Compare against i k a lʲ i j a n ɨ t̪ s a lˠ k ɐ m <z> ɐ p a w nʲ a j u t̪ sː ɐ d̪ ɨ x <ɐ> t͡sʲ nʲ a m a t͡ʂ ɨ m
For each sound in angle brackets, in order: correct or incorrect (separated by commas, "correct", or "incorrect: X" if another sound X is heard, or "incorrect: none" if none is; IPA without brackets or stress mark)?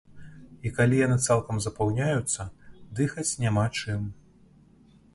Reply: correct, correct